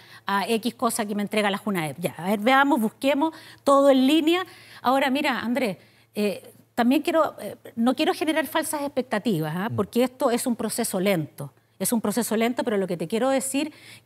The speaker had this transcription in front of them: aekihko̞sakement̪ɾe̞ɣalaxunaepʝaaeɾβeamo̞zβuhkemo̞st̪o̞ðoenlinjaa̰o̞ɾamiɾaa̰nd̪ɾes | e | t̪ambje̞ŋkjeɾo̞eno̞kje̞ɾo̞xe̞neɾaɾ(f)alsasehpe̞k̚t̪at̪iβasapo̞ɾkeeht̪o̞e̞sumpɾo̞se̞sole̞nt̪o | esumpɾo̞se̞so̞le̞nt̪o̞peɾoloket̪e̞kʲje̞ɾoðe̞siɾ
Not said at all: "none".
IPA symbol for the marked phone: f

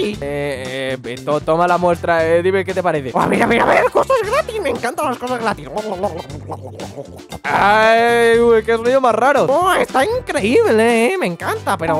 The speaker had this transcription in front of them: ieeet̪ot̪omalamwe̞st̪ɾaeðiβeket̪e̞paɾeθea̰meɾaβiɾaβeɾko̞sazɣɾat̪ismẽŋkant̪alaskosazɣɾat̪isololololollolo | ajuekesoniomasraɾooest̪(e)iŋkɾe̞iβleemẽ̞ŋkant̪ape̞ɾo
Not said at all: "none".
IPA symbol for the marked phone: a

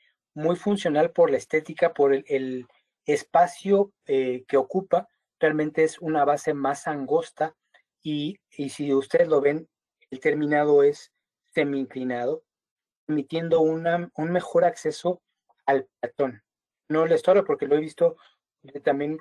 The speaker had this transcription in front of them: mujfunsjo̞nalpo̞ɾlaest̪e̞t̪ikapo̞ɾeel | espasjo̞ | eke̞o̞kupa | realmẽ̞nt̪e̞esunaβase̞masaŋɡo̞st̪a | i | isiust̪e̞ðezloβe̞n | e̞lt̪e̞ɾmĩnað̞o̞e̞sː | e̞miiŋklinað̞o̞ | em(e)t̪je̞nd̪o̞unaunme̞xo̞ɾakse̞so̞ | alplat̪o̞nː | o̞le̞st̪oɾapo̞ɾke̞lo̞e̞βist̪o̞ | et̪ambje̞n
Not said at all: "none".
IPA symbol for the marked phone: i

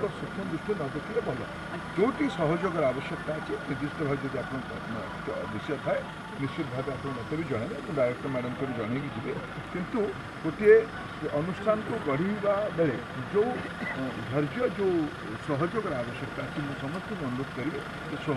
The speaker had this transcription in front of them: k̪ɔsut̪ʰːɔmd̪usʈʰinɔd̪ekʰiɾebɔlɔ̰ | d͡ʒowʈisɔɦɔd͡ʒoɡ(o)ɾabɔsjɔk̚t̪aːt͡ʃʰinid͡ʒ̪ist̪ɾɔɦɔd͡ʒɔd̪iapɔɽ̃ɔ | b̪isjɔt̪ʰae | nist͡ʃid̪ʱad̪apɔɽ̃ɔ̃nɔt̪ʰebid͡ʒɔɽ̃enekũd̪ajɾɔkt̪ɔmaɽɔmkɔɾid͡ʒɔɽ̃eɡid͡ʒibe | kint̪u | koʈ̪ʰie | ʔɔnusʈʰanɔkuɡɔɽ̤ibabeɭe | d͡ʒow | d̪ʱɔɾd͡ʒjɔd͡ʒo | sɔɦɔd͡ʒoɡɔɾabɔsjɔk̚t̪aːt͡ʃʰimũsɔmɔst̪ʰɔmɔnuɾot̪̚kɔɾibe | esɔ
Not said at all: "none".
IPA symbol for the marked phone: ɔ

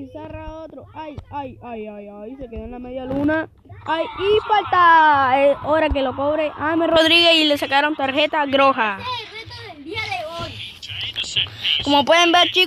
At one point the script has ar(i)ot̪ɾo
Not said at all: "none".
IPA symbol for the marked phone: a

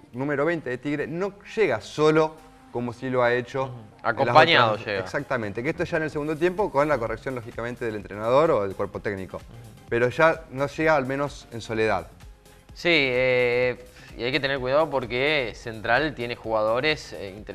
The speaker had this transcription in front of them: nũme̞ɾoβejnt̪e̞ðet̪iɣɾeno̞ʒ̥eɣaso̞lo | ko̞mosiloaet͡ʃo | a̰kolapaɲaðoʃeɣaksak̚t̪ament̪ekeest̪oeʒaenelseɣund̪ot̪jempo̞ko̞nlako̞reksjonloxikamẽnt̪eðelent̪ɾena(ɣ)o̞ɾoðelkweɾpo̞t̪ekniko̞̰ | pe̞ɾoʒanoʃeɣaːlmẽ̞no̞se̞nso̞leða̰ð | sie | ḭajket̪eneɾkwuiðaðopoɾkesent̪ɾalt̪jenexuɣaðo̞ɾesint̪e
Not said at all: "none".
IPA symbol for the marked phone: ð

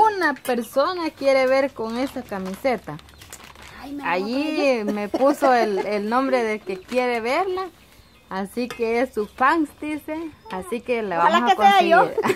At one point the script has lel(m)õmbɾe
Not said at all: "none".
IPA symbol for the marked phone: n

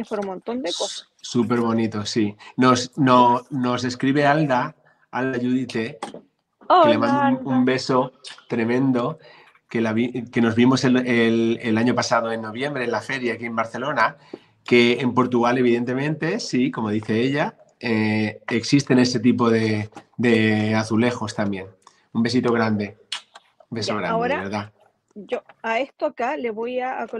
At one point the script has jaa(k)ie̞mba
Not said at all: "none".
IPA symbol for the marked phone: k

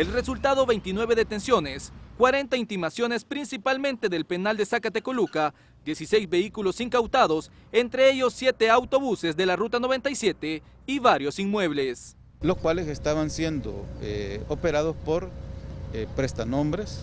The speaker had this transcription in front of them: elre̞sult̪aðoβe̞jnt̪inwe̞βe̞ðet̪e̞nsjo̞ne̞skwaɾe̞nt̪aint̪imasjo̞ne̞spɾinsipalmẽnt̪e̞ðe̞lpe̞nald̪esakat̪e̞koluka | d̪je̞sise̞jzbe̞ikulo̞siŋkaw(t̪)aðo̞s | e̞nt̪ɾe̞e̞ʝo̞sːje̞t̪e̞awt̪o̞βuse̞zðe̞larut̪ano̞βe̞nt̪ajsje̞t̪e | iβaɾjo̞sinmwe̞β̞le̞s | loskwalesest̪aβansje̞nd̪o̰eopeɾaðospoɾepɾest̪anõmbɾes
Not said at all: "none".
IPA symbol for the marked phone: t̪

